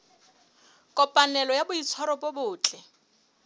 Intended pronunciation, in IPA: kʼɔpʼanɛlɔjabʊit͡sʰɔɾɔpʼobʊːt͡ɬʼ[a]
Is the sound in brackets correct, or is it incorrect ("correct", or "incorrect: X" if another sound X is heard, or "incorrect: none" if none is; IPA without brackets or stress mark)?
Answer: incorrect: ɛ